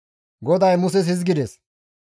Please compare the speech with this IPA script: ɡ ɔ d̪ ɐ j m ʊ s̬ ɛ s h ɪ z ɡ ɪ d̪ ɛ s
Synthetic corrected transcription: ɡ ɔ d̪ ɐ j m ʊ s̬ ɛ s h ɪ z ɡ ɪ d̪ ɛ s